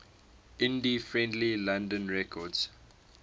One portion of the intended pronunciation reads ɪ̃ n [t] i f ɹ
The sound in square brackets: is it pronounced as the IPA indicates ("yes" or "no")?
no